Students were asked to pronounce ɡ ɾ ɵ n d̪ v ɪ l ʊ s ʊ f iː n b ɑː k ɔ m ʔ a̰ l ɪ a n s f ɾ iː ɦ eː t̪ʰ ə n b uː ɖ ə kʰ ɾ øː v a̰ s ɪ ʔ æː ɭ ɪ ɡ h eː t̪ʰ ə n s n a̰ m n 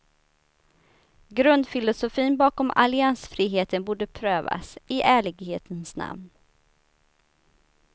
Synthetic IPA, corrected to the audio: ɡ ɾ ɵ n d̪ f ɪ l ʊ s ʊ f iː n b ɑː k ɔ m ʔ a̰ l ɪ a n s f ɾ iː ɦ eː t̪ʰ ə n b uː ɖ ə pʰ ɾ øː v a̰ s ɪ ʔ æː ɭ ɪ ɡ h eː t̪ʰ ə n s n a̰ m n

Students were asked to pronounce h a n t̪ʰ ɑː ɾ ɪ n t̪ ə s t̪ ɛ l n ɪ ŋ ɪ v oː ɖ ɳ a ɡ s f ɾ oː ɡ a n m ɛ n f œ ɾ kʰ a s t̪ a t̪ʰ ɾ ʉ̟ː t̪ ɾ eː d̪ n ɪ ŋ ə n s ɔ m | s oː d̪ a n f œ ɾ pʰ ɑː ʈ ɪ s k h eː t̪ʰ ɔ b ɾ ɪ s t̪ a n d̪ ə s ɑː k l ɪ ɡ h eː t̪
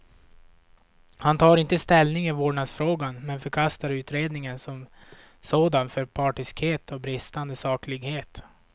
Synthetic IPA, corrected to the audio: h a n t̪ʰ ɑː ɾ ɪ n t̪ ə s t̪ ɛ l n ɪ ŋ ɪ v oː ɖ ɳ a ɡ s f ɾ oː ɡ a n m ɛ n f œ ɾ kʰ a s t̪ a ɾ ʉ̟ː t̪ ɾ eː d̪ n ɪ ŋ ə n s ɔ m | s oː d̪ a n f œ ɾ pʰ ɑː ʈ ɪ s k h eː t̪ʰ ɔ b ɾ ɪ s t̪ a n d̪ ə s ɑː k l ɪ ɡ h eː t̪

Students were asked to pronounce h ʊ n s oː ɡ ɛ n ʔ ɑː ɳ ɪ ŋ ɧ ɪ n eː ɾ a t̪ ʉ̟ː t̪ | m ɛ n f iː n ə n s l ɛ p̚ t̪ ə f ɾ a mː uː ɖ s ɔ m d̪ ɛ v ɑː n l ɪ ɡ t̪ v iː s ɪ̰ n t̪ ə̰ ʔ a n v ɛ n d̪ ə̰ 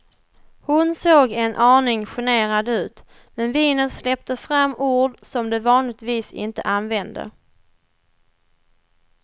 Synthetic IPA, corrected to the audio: h ʊ n s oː ɡ ɛ n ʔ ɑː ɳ ɪ ŋ ɧ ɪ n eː ɾ a d̪ ʉ̟ː t̪ | m ɛ n v iː n ə n s l ɛ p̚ t̪ ə f ɾ a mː uː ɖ s ɔ m d̪ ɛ v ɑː n l ɪ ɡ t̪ v iː s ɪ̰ n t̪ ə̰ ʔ a n v ɛ n d̪ ə̰

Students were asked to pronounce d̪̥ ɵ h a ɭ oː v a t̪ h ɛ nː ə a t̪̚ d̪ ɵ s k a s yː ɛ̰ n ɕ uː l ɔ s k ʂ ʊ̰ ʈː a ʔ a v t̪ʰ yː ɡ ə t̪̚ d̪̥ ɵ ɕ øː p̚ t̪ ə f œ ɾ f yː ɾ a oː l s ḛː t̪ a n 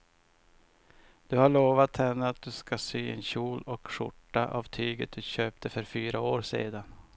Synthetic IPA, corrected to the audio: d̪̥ ɵ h a ɭ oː v a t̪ h ɛ nː ə a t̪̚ d̪ ɵ s k a s yː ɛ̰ n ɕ uː l ɔ k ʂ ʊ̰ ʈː a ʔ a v t̪ʰ yː ɡ ə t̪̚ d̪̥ ɵ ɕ øː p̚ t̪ ə f œ ɾ f yː ɾ a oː ɾ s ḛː d̪ a n

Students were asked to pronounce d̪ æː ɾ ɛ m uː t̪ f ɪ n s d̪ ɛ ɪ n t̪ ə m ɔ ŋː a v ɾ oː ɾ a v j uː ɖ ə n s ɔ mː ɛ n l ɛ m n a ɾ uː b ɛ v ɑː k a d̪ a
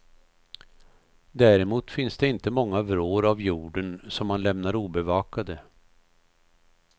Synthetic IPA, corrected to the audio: d̪ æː ɾ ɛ m uː t̪ f ɪ n s d̪ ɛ ɪ n t̪ ə m ɔ ŋː a v ɾ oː ɾ a v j uː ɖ ə n s ɔ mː a n l ɛ m n a ɾ uː b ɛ v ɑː k a d̪ ə

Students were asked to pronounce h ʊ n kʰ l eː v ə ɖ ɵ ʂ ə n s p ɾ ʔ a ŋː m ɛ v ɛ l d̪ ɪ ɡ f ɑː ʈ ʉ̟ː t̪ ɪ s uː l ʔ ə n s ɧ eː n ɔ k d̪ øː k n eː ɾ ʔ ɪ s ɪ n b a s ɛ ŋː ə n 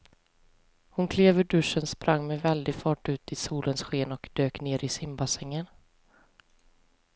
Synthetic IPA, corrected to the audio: h ʊ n kʰ l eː v ə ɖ ɵ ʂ ə n s p ɾ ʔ a ŋː m ɛ v ɛ l d̪ ɪ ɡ f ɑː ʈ ʉ̟ː t̪ ɪ s uː l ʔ ə n s ɧ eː n ɔ k d̪ øː k n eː ɾ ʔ ɪ s ɪ m b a s ɛ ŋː ə n

